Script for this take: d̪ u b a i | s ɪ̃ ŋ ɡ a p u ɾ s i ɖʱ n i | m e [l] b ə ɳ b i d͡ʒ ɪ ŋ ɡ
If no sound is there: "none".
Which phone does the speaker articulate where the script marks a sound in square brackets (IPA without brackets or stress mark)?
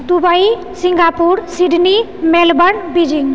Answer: l